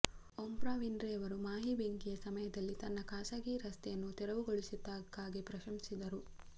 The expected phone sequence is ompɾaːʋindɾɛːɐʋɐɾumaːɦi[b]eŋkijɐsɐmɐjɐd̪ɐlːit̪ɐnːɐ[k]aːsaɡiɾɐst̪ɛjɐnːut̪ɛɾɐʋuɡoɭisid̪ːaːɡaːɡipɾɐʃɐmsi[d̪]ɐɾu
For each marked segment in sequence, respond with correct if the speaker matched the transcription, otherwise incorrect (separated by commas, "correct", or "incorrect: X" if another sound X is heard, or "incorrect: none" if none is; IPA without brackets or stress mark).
correct, correct, correct